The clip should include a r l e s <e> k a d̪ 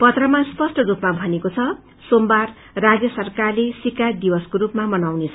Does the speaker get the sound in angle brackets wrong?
yes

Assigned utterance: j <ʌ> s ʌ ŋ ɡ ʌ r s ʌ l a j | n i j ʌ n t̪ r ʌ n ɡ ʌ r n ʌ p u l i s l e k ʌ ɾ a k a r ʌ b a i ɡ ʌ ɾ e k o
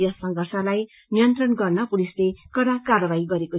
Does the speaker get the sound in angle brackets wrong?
no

